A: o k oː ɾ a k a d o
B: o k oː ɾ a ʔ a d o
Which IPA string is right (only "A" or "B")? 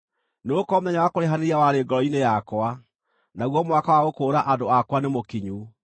B